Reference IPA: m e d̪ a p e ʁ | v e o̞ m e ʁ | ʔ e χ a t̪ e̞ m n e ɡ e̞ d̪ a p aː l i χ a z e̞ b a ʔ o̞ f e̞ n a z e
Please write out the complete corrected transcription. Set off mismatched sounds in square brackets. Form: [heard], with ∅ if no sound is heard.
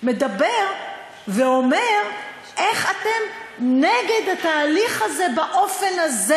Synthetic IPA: m e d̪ a [b] e ʁ | v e o̞ m e ʁ | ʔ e χ a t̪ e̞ m n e ɡ e̞ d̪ a [t] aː l i χ a z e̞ b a ʔ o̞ f e̞ n a z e